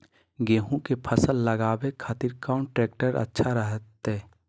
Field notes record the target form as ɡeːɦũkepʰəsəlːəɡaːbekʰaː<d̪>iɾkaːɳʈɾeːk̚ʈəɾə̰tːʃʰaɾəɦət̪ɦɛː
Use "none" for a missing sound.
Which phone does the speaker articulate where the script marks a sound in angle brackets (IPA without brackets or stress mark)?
t̪